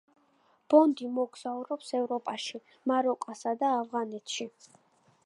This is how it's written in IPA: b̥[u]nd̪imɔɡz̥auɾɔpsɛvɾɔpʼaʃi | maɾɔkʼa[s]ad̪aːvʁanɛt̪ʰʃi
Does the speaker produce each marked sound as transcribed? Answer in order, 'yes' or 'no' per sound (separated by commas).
no, yes